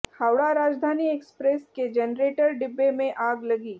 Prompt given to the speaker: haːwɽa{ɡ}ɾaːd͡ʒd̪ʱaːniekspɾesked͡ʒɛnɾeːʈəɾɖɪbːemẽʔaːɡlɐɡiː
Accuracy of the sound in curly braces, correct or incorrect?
incorrect